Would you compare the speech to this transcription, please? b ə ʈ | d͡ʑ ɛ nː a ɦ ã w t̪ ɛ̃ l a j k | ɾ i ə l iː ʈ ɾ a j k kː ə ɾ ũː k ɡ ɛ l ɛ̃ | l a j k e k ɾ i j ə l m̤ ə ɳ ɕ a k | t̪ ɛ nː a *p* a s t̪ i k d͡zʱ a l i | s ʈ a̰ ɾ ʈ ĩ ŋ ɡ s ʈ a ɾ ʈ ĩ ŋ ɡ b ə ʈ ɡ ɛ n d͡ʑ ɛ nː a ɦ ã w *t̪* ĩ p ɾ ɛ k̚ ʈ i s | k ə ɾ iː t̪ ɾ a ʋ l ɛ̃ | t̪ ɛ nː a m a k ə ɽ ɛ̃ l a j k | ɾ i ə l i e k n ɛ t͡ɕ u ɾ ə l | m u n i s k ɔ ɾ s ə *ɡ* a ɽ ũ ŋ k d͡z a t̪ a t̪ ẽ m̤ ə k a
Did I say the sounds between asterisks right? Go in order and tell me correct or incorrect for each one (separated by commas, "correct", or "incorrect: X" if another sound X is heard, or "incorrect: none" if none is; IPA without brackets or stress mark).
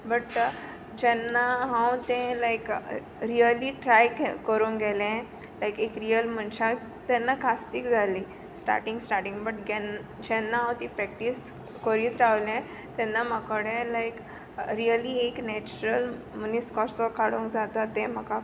incorrect: k, correct, incorrect: k